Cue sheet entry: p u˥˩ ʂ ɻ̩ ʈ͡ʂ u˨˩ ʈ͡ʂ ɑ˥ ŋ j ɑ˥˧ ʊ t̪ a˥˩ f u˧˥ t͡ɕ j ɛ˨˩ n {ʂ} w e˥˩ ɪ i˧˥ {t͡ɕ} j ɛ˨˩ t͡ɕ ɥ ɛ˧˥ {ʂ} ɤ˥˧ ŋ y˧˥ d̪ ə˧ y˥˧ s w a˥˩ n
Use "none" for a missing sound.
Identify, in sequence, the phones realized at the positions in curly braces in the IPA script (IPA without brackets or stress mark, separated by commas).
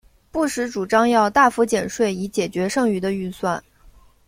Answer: ʂ, t͡ɕ, ʂ